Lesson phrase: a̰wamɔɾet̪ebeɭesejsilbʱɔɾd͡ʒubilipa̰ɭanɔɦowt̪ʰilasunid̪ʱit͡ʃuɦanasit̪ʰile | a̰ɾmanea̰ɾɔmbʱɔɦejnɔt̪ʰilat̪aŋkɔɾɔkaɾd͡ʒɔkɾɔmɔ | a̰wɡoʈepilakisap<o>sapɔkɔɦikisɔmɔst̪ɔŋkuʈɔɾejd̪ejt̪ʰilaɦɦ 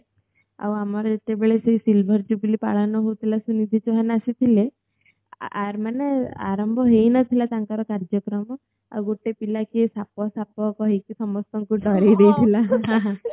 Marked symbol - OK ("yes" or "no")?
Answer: no